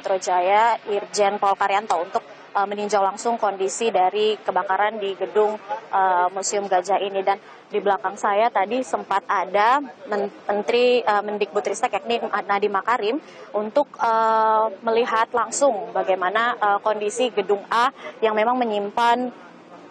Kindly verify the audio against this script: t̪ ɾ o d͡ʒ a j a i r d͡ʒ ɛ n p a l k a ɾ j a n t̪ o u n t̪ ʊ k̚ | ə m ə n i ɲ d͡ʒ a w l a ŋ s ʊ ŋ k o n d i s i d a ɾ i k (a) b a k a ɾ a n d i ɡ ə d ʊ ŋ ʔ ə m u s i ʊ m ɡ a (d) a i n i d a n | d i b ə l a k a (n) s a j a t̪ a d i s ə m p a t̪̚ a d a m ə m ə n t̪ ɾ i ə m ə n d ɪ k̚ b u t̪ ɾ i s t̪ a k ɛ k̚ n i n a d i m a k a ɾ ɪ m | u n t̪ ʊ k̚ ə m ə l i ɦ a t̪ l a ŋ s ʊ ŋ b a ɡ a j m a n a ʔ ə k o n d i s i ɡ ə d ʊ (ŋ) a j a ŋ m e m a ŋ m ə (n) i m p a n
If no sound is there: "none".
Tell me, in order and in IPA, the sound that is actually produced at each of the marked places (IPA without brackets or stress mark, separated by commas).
ə, d͡ʒ, ŋ, ŋ, ɲ